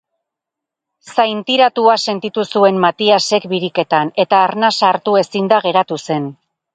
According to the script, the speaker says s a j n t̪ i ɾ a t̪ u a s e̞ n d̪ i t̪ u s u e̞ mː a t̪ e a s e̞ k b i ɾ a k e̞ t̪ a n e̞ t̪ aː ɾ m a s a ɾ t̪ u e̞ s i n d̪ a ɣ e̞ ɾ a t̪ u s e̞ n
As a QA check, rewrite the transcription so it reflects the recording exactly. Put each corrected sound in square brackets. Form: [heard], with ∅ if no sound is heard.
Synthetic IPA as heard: s a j n t̪ i ɾ a t̪ u a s e̞ n [t̪] i t̪ u s u e̞ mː a t̪ [i] a s e̞ k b i ɾ [i] k e̞ t̪ a n e̞ t̪ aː ɾ [n] a s a ɾ t̪ u e̞ s i n d̪ a ɣ e̞ ɾ a t̪ u s e̞ n